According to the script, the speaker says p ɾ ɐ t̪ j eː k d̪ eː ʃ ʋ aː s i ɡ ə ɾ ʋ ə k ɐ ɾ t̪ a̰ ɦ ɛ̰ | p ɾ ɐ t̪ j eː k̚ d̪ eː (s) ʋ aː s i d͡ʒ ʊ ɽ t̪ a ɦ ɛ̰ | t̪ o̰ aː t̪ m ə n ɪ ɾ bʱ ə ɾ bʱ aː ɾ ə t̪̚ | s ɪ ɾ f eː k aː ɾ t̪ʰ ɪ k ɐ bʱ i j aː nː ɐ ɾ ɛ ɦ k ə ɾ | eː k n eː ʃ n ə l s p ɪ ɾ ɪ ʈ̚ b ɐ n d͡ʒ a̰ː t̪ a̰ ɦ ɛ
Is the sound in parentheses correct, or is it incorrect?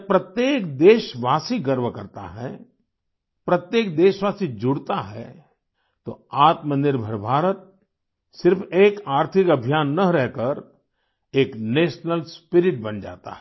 incorrect: ʃ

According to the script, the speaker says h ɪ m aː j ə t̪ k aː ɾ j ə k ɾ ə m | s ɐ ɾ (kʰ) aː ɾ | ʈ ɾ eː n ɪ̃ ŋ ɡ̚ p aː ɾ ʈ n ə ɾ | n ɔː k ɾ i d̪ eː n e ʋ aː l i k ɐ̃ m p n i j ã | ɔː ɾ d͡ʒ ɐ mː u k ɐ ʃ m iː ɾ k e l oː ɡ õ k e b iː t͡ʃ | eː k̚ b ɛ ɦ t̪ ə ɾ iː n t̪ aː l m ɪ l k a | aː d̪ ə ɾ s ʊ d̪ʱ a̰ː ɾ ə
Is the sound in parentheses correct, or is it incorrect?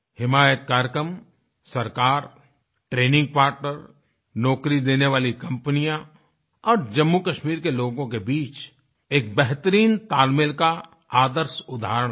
incorrect: k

